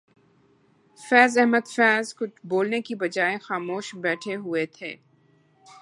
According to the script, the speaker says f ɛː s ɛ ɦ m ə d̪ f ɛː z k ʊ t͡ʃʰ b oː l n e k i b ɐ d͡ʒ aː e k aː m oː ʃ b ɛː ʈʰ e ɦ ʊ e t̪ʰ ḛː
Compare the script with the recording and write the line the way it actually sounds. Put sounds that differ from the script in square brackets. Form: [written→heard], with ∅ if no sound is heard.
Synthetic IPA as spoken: f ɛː [s→z] ɛ ɦ m ə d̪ f ɛː z k ʊ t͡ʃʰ b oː l n e k i b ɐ d͡ʒ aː e [k→x] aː m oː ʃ b ɛː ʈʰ e ɦ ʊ e t̪ʰ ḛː